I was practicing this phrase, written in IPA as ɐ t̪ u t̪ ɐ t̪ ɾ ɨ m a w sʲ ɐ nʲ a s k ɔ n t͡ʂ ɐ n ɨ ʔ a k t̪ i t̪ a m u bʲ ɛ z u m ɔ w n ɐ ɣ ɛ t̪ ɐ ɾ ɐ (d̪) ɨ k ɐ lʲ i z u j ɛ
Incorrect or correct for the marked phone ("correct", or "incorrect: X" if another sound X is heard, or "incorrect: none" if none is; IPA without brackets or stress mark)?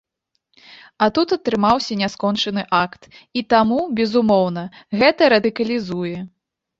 correct